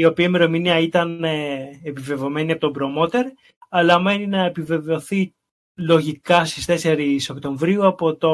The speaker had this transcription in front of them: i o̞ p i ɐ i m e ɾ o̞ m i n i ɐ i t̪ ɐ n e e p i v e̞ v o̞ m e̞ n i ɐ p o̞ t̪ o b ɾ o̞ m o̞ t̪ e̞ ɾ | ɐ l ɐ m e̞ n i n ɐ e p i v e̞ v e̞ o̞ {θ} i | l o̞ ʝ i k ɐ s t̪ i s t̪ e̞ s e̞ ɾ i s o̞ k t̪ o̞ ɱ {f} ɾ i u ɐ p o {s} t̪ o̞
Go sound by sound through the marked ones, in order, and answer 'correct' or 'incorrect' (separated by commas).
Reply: correct, incorrect, incorrect